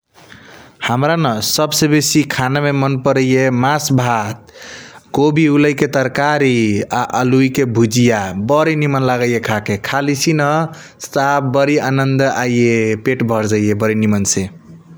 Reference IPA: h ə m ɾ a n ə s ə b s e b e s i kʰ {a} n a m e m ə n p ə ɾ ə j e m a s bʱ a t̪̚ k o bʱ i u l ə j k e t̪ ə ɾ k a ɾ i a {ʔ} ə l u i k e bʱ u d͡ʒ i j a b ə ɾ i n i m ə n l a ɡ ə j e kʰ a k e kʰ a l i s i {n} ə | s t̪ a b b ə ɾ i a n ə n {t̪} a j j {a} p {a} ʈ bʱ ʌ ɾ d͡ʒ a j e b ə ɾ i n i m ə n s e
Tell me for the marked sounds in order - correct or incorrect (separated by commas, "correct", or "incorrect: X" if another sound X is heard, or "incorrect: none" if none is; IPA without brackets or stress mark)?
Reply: correct, correct, correct, incorrect: d̪, incorrect: e, incorrect: e